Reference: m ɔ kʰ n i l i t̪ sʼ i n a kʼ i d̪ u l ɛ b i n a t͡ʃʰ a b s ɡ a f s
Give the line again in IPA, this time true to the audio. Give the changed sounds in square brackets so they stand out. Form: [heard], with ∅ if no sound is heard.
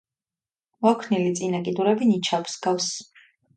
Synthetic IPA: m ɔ kʰ n i l i t̪ sʼ i n a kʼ i d̪ u [ɾ] ɛ b i n [i] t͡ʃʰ a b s ɡ a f s